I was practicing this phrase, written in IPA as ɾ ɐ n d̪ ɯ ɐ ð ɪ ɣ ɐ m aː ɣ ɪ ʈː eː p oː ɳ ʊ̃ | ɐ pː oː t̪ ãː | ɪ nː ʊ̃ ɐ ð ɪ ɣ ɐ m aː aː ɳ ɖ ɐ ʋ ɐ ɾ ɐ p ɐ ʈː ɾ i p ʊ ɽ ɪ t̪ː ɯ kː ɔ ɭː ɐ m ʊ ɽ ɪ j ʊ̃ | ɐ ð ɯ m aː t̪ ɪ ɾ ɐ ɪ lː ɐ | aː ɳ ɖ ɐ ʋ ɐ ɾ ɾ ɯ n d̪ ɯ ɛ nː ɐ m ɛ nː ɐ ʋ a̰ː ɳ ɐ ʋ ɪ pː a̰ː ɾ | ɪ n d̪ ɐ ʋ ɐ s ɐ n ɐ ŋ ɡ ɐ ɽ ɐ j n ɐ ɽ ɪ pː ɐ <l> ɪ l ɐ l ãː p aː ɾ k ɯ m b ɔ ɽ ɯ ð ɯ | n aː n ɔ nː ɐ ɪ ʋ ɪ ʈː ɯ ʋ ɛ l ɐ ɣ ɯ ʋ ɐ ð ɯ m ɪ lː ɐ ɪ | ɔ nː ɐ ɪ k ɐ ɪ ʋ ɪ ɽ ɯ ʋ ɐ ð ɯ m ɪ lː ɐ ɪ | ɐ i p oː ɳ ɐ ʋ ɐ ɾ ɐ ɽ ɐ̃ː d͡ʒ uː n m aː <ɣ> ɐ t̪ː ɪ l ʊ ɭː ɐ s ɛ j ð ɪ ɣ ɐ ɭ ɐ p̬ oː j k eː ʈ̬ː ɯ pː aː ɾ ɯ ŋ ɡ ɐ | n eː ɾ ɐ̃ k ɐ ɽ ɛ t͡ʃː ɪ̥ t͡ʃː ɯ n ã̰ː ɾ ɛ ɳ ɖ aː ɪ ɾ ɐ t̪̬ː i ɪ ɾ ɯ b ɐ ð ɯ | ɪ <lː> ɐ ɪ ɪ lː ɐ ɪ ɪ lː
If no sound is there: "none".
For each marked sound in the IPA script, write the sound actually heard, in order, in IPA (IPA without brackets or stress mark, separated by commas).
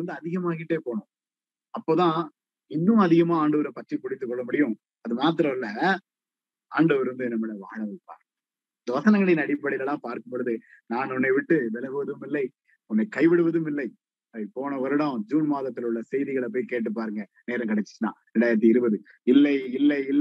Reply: ɽ, ð, lː